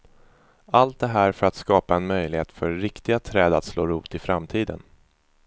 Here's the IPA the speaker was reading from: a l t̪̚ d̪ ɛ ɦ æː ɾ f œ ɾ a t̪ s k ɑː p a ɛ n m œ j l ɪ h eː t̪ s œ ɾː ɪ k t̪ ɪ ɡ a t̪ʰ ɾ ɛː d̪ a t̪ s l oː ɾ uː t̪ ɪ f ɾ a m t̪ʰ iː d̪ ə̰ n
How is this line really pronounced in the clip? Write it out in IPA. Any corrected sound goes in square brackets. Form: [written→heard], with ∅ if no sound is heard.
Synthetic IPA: a l t̪̚ d̪ ɛ ɦ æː ɾ f œ ɾ a t̪ s k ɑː p a ɛ n m œ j l ɪ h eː t̪ [s→f] œ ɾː ɪ k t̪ ɪ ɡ a t̪ʰ ɾ ɛː d̪ a t̪ s l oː ɾ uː t̪ ɪ f ɾ a m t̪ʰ iː d̪ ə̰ n